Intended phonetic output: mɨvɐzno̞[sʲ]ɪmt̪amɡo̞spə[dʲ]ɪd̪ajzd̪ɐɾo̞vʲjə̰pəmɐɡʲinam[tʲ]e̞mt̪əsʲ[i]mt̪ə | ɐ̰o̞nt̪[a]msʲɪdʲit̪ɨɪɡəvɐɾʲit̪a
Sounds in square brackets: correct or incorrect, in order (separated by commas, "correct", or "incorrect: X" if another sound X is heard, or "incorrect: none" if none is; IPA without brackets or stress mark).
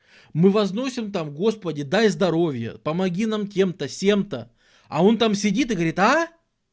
correct, correct, correct, incorrect: e, correct